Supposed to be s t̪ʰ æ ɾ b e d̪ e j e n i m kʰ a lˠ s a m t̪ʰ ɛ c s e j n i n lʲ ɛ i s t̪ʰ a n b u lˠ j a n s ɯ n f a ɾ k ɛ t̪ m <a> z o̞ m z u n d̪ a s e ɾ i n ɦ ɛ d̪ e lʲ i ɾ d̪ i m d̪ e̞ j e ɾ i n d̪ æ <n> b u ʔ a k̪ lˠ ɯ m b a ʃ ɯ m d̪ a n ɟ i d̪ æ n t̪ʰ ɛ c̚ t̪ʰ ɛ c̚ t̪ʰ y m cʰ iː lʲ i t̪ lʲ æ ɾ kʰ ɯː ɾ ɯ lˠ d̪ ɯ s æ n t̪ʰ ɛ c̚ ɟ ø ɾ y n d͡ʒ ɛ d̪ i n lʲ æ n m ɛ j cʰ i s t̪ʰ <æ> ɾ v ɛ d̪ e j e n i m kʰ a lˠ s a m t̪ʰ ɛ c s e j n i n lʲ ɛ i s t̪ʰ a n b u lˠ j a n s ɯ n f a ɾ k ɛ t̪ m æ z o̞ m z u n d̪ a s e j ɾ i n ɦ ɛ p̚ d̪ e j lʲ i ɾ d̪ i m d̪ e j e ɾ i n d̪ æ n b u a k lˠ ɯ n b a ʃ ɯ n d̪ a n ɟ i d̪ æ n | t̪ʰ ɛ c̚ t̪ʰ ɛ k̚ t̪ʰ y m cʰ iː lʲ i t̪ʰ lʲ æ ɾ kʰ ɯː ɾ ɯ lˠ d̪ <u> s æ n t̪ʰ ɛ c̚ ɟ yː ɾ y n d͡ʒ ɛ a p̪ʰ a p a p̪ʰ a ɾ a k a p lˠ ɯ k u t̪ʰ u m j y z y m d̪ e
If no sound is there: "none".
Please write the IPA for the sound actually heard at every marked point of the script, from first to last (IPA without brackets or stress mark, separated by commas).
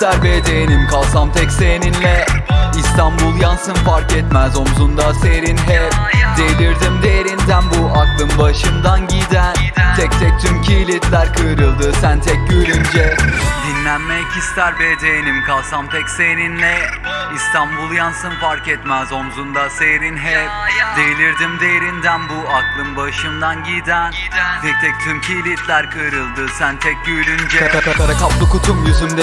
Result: æ, n, æ, ɯ